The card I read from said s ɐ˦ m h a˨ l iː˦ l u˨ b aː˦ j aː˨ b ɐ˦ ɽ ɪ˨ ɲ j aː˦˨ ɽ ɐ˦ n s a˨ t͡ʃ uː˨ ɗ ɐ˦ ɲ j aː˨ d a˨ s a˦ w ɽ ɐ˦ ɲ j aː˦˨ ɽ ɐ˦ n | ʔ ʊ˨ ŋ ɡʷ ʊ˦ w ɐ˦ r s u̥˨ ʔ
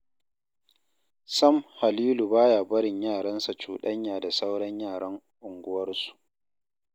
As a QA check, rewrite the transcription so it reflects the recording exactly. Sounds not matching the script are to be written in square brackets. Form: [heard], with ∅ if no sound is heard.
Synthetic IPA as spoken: s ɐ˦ m h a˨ l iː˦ l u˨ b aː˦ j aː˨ b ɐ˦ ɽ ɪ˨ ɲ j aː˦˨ ɽ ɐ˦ n s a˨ t͡ʃ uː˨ ɗ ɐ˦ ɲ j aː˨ d a˨ s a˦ w ɽ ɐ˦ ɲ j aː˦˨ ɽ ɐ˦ [ŋ] | ʔ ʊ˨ ŋ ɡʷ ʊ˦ w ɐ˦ r s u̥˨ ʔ